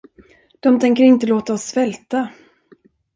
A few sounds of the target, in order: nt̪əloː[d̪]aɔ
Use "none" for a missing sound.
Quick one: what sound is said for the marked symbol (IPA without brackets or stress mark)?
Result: t̪